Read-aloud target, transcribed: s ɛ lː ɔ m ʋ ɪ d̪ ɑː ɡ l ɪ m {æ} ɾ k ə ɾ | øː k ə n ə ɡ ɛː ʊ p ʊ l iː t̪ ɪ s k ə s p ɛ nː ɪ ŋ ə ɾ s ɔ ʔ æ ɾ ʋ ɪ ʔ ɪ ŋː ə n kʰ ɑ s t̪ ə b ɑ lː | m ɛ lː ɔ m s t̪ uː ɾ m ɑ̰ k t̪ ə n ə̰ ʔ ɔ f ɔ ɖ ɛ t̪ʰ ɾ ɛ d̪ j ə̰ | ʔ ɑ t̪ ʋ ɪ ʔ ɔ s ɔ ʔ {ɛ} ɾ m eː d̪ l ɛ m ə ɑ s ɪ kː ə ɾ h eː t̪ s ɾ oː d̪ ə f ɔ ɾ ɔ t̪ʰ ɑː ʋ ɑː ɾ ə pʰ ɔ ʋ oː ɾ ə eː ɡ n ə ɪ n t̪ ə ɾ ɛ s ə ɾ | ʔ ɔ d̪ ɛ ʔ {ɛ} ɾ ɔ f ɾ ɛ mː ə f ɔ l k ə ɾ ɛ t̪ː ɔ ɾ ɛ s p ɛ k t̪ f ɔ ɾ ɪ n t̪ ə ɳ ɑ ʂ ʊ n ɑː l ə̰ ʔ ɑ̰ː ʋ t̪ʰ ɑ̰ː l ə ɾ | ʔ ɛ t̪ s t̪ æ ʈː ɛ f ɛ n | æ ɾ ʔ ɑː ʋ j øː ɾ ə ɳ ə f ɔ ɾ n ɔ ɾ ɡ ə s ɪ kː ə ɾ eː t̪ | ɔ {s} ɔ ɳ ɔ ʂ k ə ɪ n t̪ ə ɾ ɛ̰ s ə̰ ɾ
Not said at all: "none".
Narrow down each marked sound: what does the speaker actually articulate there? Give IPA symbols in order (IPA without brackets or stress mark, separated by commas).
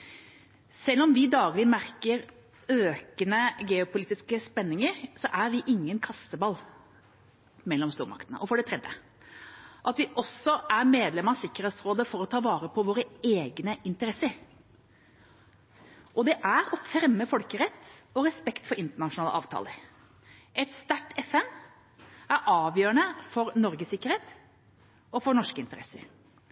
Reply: æ, æ, æ, f